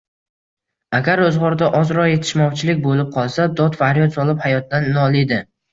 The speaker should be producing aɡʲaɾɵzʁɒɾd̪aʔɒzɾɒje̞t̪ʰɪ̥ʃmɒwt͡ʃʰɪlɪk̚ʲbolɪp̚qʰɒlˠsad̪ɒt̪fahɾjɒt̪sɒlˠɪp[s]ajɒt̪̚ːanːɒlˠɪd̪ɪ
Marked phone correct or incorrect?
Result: incorrect